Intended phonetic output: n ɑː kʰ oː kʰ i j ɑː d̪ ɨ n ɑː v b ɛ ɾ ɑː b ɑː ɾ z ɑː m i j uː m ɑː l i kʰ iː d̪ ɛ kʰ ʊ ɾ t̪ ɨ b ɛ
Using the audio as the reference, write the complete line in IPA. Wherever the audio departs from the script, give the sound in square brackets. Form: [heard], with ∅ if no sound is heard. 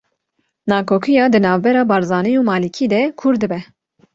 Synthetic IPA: n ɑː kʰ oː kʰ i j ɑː d̪ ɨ n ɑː v b ɛ ɾ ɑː b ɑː ɾ z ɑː [n] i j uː m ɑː l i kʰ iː d̪ ɛ kʰ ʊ ɾ [d̪] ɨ b ɛ